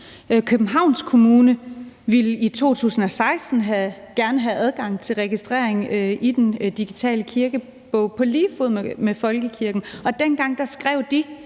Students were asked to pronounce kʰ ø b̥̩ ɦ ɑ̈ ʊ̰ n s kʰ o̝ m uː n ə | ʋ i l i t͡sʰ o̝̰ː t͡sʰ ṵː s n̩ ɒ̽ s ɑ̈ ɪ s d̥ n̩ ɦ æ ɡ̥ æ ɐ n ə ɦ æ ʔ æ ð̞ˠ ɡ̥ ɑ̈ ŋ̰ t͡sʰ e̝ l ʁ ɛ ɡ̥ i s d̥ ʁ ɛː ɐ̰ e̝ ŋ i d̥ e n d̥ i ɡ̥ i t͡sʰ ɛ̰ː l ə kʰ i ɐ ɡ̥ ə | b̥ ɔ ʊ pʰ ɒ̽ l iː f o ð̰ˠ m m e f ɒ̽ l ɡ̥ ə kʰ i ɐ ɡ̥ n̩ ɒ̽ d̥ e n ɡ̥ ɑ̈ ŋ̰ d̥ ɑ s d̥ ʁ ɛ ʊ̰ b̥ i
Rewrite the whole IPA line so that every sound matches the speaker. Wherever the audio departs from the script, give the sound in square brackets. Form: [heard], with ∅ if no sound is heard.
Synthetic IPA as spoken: kʰ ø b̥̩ ɦ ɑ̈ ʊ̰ n s kʰ o̝ m uː n ə | ʋ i l i t͡sʰ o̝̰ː t͡sʰ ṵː s n̩ ɒ̽ s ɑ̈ ɪ s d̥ n̩ ɦ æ ɡ̥ æ ɐ n ə ɦ æ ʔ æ ð̞ˠ ɡ̥ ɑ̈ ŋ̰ t͡sʰ e̝ l ʁ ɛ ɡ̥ i s d̥ ʁ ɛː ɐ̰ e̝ ŋ i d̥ e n d̥ i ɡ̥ i t͡sʰ ɛ̰ː l ə kʰ i ɐ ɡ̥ ə | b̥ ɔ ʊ pʰ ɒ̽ l iː f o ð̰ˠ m m e f ɒ̽ l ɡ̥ ə kʰ i ɐ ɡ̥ n̩ ɒ̽ d̥ e n ɡ̥ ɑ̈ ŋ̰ d̥ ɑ s [ɡ̥] ʁ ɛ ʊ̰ [d̥] i